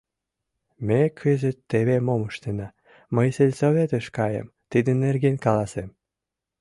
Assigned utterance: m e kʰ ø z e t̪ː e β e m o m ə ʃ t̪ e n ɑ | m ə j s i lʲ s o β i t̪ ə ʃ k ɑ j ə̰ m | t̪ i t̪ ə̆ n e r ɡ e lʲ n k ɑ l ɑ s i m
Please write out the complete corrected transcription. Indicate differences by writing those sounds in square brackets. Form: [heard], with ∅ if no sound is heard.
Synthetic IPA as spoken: m e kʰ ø z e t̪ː e β e m o m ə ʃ t̪ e n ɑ | m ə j s [e] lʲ s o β [e] t̪ ə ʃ k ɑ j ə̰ m | t̪ i [d̪] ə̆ n e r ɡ e [∅] n k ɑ l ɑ s [e] m